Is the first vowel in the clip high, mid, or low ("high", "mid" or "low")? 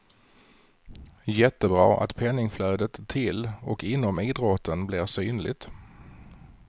mid